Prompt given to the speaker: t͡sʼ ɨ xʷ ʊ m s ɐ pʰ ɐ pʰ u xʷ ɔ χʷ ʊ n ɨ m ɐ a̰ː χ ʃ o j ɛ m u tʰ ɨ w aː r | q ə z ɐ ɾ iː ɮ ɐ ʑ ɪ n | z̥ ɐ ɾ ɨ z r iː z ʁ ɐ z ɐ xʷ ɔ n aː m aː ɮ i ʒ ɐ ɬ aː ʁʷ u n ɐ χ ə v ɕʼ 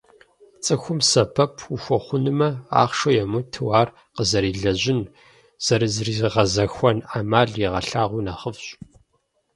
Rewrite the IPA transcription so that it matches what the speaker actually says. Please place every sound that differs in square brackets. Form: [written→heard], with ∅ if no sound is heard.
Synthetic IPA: t͡sʼ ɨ xʷ ʊ m s ɐ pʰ ɐ pʰ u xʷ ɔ χʷ ʊ n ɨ m ɐ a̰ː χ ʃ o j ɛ m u tʰ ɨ w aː r | q ə z ɐ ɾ iː ɮ ɐ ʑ ɪ n | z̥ ɐ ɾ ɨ z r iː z ʁ ɐ z ɐ xʷ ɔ n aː m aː ɮ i [ʒ→ʁ] ɐ ɬ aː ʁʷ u n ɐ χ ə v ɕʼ